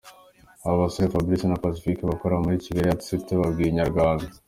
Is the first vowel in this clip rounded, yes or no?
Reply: no